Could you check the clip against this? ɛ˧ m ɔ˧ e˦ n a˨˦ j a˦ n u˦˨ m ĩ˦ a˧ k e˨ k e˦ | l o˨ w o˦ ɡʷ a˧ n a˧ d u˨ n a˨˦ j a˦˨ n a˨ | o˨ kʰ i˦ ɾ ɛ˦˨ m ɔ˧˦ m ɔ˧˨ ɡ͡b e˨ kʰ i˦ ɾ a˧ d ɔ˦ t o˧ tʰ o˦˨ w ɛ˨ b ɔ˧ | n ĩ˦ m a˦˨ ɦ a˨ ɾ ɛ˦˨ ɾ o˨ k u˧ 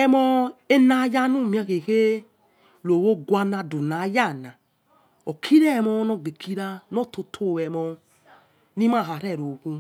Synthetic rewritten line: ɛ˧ m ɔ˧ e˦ n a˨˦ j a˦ n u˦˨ m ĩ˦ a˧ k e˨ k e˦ | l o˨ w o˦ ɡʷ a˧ n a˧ d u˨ n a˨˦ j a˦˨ n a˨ | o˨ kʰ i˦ ɾ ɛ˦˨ m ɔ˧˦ n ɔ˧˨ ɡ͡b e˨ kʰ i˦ ɾ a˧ n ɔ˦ t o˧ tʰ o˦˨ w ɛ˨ m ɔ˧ | n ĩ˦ m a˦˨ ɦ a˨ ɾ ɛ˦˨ ɾ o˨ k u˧